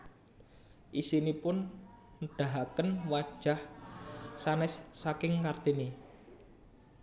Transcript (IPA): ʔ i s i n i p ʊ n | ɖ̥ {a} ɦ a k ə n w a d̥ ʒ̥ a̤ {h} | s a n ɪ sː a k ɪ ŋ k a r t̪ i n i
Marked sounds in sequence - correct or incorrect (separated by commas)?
correct, correct